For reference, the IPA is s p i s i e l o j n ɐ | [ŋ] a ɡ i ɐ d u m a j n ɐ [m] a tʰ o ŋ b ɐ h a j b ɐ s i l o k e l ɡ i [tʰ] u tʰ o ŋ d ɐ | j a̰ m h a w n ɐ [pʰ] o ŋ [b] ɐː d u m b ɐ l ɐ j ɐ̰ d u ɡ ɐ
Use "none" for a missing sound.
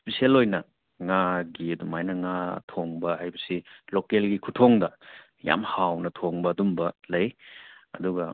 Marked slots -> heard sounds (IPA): ŋ, ŋ, kʰ, tʰ, b

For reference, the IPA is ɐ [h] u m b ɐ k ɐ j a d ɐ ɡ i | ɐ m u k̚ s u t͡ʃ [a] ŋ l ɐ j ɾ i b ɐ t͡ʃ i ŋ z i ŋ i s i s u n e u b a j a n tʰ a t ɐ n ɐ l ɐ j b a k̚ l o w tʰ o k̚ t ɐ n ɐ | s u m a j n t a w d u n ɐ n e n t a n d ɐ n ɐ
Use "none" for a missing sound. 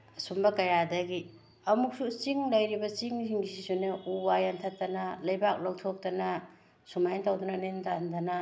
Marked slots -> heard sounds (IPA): s, i

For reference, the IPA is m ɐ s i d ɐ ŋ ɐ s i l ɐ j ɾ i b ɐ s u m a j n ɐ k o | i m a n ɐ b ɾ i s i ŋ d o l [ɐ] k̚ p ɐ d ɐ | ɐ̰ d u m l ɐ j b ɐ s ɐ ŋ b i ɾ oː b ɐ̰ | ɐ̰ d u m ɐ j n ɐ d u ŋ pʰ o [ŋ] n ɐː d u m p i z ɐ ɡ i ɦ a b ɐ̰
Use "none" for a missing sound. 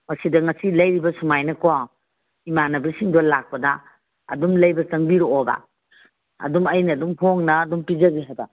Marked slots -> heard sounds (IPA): a, ŋ

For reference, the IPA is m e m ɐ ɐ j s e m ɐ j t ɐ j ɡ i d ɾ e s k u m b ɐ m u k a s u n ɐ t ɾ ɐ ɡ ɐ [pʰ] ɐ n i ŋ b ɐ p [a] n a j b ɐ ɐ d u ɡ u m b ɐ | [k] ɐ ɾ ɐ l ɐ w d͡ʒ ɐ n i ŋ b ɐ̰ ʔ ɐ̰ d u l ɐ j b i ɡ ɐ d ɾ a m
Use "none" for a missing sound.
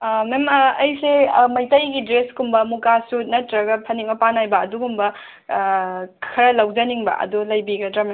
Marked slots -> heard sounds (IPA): pʰ, a, kʰ

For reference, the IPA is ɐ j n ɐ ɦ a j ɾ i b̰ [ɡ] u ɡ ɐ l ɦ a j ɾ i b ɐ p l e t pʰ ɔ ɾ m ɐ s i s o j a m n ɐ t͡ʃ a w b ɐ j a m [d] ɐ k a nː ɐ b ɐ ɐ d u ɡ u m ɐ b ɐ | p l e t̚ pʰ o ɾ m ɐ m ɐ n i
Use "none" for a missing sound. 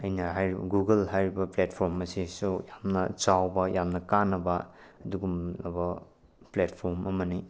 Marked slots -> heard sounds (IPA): ɡ, n

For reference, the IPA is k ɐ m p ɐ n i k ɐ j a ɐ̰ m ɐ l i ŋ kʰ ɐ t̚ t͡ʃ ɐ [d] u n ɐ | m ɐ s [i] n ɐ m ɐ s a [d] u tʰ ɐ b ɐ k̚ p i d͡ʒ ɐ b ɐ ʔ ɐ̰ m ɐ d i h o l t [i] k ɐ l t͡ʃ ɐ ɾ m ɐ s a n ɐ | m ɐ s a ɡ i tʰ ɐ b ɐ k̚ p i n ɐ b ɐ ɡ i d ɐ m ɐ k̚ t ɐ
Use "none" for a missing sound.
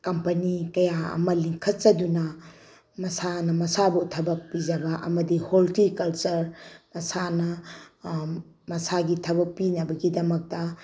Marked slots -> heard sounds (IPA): d, a, b, i

